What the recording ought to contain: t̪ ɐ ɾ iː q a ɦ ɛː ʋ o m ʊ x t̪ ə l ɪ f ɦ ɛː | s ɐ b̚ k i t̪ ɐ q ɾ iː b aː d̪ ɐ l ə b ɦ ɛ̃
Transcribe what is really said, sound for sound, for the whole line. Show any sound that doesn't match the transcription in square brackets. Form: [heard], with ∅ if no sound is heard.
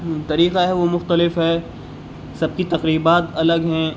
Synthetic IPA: t̪ ɐ ɾ iː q a ɦ [ɛ] ʋ o m ʊ x t̪ ə l ɪ f ɦ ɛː | s ɐ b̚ k i t̪ ɐ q ɾ iː b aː [t̪] ɐ l ə [ɡ] ɦ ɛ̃

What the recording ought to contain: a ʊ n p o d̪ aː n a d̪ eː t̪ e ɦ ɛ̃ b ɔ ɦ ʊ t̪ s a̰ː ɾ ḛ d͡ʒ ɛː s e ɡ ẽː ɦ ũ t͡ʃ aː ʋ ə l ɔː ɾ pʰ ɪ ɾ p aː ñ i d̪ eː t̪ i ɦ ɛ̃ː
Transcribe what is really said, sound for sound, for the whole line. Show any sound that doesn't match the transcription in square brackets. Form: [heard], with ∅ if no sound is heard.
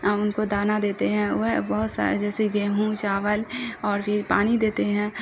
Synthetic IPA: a ʊ n [k] o d̪ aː n a d̪ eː t̪ e ɦ ɛ̃ b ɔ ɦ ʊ t̪ s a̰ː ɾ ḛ d͡ʒ ɛː s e ɡ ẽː ɦ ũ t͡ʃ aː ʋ ə l ɔː ɾ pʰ ɪ ɾ p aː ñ i d̪ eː t̪ [e] ɦ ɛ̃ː

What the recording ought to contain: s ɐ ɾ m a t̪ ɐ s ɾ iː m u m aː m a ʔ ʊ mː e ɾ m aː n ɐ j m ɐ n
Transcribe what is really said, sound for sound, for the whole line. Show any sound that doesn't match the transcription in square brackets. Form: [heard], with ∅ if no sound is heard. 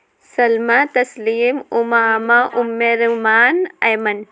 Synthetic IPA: s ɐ [l] m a t̪ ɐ s [l] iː m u m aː m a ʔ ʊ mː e ɾ m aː n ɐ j m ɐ n

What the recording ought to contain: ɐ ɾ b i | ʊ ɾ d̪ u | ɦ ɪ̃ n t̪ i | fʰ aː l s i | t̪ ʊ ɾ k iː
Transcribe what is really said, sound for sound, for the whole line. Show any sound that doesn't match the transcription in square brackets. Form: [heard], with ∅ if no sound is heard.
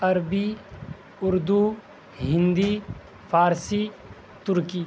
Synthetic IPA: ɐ ɾ b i | ʊ ɾ d̪ u | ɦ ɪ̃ n [d̪] i | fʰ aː [ɾ] s i | t̪ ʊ ɾ k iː

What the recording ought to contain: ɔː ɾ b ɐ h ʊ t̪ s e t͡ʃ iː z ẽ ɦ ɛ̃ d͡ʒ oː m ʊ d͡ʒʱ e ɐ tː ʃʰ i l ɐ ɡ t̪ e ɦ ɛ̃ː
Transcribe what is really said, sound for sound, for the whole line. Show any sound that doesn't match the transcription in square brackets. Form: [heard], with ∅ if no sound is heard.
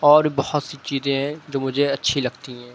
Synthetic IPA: ɔː ɾ b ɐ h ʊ t̪ s [i] t͡ʃ iː z ẽ ɦ ɛ̃ d͡ʒ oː m ʊ d͡ʒʱ e ɐ tː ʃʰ i l ɐ ɡ t̪ [i] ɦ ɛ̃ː

